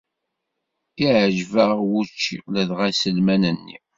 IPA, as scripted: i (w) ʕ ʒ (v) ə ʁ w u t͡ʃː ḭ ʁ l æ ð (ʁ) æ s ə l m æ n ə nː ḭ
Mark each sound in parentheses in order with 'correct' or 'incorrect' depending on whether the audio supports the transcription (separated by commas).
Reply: incorrect, correct, correct